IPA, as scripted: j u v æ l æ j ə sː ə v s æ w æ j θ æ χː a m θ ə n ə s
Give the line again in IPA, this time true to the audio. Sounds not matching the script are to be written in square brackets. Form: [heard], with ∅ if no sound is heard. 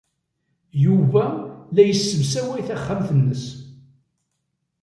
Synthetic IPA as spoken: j u v æ l æ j ə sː ə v s æ w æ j θ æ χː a m θ ə [nː] ə s

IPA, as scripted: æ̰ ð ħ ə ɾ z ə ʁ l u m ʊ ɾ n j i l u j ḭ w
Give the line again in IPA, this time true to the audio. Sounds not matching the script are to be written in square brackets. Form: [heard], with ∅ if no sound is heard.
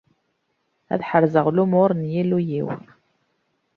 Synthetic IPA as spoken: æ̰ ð ħ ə ɾ z ə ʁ l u m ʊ ɾ n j i l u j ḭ w

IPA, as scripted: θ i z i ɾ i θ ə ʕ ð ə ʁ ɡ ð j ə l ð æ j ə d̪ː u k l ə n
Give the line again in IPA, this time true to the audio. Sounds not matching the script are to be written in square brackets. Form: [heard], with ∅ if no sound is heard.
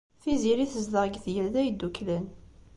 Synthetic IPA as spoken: θ i z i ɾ i θ ə [z] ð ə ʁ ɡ [θ] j ə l ð æ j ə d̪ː u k l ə n

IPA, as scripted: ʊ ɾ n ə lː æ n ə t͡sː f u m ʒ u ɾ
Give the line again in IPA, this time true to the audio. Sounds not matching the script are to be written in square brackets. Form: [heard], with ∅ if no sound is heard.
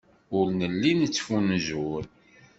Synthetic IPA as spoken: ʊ ɾ n ə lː [i] n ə t͡sː f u [n] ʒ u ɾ

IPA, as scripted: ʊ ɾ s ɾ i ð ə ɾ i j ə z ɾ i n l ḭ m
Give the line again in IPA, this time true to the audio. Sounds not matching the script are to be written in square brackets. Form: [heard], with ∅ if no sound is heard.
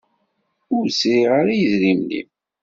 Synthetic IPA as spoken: ʊ ɾ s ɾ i [ʁ] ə ɾ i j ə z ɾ i [m] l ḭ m

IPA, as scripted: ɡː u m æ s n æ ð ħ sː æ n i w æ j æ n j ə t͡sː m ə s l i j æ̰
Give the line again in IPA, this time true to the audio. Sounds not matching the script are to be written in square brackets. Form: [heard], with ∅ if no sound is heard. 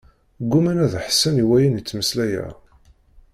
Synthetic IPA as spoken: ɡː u m æ [∅] n æ ð ħ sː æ n i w æ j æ n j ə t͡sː m ə s l [æ] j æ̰

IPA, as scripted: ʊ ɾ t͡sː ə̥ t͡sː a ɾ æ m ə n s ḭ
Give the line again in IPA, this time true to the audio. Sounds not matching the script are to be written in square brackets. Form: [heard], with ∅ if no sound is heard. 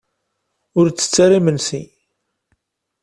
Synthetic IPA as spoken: ʊ ɾ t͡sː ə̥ t͡sː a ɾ [i] m ə n s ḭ

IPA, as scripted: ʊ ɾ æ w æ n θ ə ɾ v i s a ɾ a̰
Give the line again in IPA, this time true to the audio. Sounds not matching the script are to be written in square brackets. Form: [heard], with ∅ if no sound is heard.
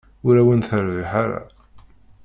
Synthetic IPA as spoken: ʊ ɾ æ w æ n θ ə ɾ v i [ħ] a ɾ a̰

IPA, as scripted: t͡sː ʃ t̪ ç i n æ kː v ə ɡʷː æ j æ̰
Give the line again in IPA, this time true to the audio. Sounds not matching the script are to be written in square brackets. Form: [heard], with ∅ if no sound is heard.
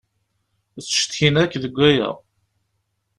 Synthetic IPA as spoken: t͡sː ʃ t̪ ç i n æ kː [ð] ə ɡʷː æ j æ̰

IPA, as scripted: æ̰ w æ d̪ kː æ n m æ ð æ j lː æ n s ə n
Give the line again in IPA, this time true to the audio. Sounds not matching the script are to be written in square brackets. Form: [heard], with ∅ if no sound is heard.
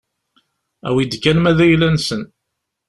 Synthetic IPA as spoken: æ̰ w [i] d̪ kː æ n m æ ð æ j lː æ n s ə n

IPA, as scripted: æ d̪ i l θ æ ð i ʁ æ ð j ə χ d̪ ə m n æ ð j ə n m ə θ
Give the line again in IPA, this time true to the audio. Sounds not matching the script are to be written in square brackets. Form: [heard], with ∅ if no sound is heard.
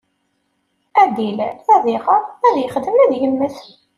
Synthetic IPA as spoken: æ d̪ i l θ æ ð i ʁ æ ð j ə χ d̪ ə m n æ ð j ə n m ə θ

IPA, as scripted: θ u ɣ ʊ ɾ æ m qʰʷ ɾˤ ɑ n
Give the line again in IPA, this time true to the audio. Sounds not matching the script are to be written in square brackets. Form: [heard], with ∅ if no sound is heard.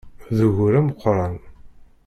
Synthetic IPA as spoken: [ð] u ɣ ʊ ɾ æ m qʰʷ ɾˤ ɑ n

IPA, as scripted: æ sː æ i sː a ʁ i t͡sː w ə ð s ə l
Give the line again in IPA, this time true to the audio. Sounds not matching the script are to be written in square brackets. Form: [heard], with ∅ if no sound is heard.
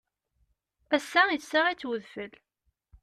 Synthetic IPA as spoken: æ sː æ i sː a ʁ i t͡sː w ə ð [f] ə l

